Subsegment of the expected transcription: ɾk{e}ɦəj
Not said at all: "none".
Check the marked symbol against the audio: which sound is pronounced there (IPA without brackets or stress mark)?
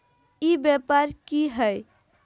i